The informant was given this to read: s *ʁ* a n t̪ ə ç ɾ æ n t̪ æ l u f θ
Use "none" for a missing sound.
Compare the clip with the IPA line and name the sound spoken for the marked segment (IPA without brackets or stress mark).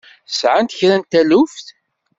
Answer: ʕ